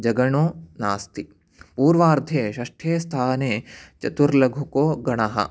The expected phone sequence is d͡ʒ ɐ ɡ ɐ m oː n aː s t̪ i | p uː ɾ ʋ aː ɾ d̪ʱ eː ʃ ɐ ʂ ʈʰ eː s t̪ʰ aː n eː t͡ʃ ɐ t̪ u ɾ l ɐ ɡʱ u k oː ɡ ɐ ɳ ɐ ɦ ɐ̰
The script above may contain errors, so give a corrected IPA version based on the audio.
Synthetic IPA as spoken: d͡ʒ ɐ ɡ ɐ ɳ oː n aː s t̪ i | p uː ɾ ʋ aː ɾ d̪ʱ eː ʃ ɐ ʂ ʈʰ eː s t̪ʰ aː n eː t͡ʃ ɐ t̪ u ɾ l ɐ ɡʱ u k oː ɡ ɐ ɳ ɐ ɦ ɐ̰